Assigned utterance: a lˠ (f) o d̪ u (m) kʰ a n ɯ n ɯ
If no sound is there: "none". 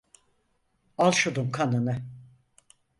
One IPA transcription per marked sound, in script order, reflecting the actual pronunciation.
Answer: ʃ, m

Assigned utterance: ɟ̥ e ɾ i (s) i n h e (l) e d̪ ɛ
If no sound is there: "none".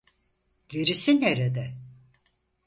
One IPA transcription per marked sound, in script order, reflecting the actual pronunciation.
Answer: s, ɾ

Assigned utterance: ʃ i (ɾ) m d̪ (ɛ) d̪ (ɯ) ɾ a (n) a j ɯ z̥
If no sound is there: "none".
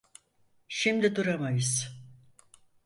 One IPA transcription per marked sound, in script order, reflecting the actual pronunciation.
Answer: none, i, u, m

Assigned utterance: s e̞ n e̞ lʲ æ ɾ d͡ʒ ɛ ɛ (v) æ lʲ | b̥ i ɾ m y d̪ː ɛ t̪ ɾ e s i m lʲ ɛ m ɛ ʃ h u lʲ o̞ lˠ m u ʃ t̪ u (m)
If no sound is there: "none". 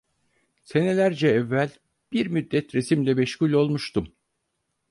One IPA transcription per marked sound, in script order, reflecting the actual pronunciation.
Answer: vː, m

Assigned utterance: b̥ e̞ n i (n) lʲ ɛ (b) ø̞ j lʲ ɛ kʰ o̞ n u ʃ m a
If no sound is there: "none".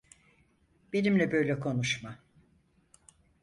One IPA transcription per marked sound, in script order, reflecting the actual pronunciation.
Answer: m, b

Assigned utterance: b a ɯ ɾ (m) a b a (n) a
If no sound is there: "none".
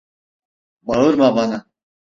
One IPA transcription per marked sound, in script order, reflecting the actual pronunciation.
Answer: m, n

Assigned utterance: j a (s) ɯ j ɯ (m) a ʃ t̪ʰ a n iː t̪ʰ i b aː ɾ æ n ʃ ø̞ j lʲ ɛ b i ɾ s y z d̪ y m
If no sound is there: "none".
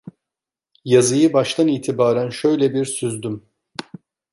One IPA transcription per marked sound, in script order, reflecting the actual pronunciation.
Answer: z, b

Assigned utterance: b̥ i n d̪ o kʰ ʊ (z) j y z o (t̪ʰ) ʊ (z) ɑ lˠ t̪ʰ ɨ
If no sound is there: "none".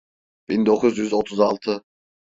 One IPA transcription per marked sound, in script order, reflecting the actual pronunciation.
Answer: z, t̪ʰ, z

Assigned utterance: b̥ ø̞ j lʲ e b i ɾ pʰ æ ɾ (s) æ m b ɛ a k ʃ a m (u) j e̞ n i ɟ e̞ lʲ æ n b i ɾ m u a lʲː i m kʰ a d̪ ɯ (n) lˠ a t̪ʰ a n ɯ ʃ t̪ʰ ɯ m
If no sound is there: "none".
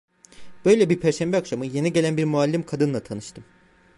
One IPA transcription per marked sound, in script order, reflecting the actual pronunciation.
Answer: ʃ, ɯ, n

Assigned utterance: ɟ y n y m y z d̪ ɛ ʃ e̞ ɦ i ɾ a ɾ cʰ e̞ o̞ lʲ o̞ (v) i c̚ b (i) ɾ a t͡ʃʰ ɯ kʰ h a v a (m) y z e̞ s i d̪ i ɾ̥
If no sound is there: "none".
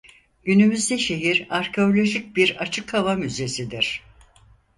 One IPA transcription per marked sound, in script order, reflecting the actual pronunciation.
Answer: ʒ, i, m

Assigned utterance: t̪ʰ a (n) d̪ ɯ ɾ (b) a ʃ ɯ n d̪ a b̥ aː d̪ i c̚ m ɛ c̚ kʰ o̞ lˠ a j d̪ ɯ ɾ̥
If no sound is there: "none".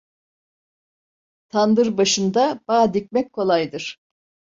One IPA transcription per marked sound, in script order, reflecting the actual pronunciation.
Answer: n, b

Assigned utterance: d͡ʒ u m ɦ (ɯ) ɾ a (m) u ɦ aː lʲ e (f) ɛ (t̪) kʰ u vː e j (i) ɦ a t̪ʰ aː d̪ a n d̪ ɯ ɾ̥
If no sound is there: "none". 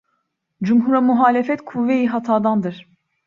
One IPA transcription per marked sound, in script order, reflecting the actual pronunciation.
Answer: u, m, f, t̪, i

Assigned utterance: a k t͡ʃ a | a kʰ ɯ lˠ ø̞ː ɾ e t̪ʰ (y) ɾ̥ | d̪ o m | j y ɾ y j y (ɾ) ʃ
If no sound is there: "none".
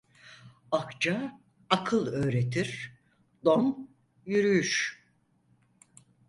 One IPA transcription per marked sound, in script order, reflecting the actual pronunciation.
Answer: i, none

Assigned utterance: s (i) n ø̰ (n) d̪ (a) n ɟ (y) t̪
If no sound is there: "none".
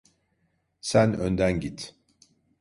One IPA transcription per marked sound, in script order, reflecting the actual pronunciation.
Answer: æ, n, æ, i

